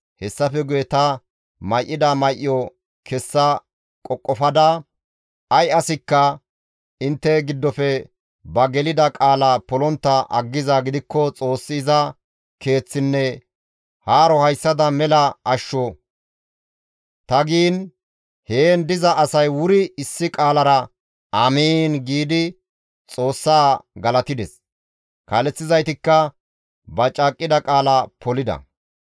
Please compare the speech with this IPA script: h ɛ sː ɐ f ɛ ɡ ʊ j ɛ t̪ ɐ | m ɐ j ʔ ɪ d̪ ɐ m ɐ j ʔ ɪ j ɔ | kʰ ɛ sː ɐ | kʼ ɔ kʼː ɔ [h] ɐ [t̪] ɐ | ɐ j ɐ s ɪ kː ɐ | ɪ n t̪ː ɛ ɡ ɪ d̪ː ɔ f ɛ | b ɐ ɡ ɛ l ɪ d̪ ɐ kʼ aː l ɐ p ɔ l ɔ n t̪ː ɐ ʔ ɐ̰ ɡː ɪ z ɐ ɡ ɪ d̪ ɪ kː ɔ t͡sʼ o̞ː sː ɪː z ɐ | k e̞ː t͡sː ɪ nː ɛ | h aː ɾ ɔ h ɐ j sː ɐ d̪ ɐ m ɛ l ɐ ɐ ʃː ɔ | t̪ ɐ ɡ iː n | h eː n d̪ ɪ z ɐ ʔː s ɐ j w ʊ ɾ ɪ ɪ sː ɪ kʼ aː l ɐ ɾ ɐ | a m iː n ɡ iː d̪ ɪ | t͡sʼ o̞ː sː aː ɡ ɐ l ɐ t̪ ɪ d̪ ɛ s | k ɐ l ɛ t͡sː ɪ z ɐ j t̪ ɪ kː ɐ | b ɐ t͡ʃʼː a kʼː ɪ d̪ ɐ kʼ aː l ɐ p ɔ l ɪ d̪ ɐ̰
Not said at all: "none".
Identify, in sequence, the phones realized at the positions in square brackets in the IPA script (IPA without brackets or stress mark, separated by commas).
f, d̪